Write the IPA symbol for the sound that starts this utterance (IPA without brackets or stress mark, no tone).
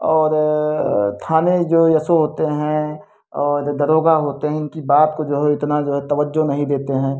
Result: ɔː